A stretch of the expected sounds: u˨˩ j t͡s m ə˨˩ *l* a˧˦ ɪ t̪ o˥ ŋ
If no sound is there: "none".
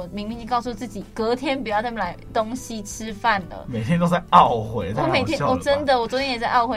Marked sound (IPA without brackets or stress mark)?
l